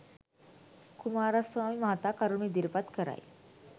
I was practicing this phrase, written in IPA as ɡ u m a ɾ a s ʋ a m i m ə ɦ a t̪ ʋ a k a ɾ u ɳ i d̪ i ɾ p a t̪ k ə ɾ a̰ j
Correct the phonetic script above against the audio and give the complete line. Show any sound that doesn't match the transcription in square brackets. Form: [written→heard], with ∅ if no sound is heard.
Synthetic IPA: [ɡ→k] u m a ɾ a s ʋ a m i m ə ɦ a t̪ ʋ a k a ɾ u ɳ i d̪ i ɾ p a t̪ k ə ɾ a̰ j